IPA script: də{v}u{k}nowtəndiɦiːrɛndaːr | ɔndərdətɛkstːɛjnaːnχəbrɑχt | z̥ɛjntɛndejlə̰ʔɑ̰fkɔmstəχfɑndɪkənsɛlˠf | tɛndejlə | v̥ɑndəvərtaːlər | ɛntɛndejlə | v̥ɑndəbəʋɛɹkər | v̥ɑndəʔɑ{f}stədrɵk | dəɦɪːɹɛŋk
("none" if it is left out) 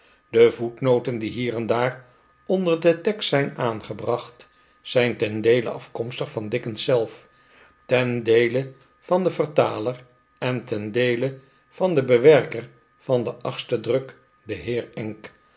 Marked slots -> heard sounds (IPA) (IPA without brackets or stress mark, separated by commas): v, t, χ